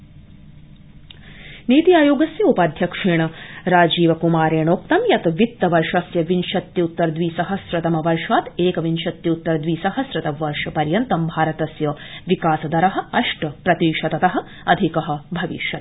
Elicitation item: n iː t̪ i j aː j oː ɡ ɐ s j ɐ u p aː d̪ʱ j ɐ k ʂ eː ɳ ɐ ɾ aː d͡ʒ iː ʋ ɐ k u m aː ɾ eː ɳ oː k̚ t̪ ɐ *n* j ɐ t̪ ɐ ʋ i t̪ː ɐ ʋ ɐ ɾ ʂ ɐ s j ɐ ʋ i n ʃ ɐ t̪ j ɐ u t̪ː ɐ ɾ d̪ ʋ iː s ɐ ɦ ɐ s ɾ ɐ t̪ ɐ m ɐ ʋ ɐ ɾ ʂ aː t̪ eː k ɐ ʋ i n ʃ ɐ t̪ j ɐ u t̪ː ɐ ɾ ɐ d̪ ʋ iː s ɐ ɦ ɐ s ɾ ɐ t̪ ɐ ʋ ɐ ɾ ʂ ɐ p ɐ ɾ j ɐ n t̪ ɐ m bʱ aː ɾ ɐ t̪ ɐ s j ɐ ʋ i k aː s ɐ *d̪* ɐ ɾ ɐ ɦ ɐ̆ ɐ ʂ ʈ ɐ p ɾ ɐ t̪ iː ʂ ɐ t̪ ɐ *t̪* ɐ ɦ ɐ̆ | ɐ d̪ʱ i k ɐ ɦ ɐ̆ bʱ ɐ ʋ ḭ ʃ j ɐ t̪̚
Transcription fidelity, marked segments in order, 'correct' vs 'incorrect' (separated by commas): incorrect, correct, correct